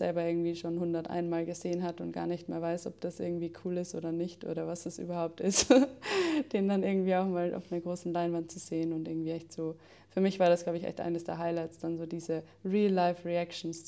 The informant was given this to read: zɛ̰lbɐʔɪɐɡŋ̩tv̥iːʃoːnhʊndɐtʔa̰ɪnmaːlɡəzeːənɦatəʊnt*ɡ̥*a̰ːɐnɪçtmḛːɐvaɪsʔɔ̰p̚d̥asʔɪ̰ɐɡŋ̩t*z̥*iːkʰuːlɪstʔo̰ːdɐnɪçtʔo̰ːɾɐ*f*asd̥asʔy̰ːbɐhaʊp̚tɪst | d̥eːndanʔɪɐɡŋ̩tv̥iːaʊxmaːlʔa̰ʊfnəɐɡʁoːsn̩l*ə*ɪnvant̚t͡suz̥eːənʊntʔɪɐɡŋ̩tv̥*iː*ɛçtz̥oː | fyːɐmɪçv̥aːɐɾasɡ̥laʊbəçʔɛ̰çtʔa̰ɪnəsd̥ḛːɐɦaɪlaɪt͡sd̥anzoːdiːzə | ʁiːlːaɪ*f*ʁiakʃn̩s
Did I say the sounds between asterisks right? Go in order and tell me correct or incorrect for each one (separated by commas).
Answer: correct, incorrect, incorrect, incorrect, correct, correct